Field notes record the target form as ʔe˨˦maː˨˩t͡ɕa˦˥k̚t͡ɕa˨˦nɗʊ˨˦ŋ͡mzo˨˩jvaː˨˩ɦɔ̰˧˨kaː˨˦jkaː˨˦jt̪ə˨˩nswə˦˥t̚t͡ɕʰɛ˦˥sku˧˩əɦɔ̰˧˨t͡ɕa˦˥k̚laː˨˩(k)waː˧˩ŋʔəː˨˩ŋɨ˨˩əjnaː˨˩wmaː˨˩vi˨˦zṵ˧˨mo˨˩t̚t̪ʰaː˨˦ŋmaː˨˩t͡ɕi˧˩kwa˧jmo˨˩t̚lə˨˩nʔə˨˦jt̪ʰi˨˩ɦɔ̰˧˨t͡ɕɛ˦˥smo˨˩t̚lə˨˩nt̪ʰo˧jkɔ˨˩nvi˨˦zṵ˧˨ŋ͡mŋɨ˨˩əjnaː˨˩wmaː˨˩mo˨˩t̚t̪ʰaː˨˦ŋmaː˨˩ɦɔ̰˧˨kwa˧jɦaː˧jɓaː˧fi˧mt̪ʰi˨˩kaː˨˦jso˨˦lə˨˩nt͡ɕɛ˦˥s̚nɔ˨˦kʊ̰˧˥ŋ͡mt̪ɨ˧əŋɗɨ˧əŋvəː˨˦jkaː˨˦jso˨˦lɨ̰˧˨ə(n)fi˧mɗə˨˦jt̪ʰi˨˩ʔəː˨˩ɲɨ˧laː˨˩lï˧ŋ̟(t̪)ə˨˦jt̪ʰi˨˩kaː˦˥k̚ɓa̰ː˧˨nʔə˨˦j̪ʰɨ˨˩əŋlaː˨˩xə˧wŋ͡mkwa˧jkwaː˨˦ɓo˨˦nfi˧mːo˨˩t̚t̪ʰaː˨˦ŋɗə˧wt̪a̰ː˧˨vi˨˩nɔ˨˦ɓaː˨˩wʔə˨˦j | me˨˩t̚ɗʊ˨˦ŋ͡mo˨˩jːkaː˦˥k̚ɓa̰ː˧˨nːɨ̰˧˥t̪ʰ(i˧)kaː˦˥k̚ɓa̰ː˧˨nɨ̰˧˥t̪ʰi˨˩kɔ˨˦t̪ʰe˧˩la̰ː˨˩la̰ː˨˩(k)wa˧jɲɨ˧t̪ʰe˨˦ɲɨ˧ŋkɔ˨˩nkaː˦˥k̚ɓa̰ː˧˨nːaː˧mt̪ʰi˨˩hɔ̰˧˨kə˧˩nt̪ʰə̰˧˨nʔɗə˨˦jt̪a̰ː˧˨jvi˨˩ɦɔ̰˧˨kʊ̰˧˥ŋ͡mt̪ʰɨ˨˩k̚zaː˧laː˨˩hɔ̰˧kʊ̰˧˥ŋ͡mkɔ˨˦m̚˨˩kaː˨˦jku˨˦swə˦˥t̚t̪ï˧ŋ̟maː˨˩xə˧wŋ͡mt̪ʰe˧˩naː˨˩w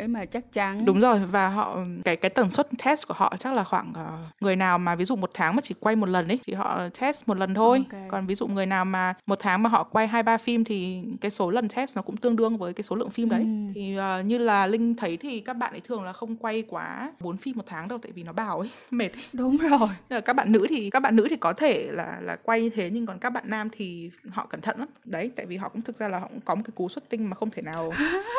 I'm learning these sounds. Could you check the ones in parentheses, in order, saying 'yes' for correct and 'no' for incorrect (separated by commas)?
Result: no, no, no, no, yes